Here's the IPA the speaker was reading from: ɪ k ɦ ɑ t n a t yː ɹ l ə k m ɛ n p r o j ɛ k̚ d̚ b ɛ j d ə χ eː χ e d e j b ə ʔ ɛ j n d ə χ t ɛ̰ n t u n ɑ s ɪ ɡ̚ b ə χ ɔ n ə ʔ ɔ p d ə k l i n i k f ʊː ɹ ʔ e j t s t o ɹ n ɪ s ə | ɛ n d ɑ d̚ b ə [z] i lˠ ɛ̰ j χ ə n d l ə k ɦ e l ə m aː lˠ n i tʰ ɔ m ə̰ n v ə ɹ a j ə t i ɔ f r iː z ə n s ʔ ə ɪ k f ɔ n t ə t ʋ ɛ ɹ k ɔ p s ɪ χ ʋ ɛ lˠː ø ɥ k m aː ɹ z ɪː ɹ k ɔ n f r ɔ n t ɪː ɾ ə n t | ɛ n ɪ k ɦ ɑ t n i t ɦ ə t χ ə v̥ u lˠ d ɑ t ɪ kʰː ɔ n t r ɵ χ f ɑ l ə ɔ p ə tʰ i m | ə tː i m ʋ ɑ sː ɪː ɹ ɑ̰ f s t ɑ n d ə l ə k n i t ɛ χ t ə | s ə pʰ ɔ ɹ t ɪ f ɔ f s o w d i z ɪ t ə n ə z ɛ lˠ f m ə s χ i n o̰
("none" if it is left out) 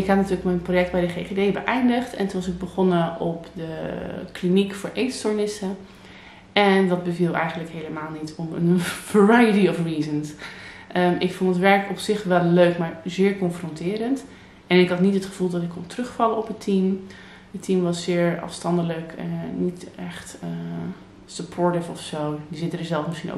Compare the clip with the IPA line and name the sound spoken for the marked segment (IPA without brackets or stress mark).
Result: v